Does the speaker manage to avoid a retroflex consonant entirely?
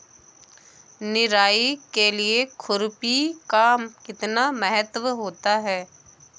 yes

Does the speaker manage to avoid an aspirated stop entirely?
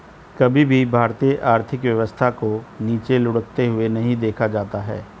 no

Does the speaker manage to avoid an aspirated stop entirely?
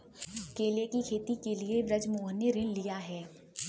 no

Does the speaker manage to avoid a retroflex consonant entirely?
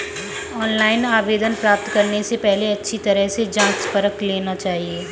yes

